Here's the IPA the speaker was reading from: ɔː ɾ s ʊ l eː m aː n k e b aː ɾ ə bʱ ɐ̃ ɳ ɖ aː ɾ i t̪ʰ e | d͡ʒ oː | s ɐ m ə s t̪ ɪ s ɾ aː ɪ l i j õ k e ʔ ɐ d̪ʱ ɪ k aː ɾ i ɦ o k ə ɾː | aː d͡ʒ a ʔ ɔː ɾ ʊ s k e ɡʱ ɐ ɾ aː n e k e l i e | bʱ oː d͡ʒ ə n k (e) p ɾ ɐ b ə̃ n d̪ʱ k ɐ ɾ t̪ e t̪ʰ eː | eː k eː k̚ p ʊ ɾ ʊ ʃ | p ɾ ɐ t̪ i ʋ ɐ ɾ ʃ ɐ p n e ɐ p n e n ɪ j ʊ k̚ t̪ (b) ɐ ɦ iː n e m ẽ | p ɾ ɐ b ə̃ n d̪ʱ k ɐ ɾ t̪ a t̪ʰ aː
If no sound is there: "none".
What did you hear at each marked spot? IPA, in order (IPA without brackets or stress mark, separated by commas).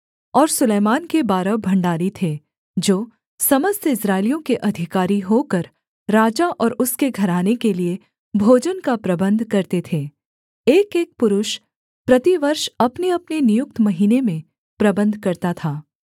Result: a, m